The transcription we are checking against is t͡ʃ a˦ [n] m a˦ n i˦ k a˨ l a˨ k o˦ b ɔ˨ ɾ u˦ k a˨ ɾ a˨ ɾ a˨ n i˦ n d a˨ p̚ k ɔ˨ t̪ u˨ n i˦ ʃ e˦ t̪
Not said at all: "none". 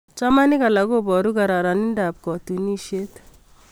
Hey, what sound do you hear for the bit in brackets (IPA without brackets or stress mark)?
none